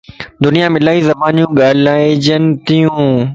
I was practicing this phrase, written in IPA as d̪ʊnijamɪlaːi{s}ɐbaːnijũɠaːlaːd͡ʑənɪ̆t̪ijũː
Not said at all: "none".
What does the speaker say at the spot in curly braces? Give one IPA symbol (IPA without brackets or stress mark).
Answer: z